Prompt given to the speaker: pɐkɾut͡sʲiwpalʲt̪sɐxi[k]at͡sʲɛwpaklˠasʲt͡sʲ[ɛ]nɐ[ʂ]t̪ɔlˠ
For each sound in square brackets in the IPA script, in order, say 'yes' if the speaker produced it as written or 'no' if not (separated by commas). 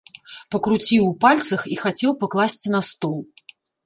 no, no, no